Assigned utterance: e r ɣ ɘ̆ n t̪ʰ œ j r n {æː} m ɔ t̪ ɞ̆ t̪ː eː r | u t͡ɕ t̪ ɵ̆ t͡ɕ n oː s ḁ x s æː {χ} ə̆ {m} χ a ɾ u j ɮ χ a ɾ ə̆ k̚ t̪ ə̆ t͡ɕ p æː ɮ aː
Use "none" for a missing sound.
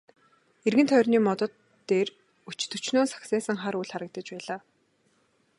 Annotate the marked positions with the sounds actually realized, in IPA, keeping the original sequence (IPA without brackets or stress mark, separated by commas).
iː, s, ŋ